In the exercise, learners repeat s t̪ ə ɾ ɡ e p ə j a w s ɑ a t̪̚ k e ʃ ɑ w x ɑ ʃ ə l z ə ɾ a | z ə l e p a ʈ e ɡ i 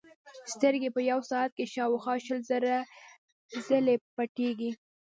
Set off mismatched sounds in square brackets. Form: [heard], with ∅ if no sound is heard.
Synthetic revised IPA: s t̪ ə ɾ ɡ e p ə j a w s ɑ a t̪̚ k e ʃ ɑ w x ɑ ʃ ə l z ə ɾ a | z ə l e p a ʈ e ɡ i